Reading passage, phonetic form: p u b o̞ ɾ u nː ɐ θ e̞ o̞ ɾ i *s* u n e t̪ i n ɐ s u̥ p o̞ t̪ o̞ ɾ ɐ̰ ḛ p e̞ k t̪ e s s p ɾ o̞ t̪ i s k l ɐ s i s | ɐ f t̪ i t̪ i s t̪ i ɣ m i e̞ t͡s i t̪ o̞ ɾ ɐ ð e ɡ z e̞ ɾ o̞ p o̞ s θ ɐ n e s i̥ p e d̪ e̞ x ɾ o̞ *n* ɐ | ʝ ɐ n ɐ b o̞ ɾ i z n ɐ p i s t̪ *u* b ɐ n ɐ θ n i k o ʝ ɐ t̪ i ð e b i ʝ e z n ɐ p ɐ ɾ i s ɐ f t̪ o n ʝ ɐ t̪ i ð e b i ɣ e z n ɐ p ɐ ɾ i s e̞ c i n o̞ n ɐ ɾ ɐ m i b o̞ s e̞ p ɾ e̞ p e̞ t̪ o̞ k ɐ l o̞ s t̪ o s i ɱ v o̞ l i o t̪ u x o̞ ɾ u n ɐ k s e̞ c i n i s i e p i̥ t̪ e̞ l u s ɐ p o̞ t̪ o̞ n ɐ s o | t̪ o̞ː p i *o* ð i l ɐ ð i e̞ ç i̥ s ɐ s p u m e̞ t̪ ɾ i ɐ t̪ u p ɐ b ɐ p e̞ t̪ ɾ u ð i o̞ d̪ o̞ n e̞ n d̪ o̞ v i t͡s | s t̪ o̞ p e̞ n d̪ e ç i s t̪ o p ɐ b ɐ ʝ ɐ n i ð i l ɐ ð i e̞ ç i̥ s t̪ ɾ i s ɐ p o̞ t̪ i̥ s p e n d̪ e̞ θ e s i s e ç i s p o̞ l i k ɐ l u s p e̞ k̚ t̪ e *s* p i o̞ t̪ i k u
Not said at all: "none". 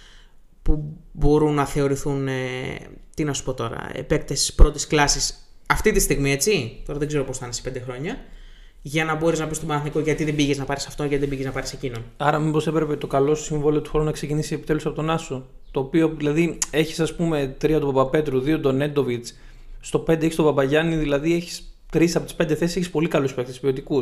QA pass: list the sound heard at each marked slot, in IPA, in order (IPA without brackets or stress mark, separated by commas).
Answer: θ, ɲ, o, o, s